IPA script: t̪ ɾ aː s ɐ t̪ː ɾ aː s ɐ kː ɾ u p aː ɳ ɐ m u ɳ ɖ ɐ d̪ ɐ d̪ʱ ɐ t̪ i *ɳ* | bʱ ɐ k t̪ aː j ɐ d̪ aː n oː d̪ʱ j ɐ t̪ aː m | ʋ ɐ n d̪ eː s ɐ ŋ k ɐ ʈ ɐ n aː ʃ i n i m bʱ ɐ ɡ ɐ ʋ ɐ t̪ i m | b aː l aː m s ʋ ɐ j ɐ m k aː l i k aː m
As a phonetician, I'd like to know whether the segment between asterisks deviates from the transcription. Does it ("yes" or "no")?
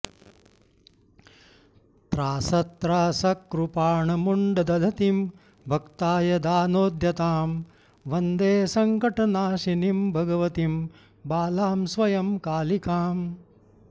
yes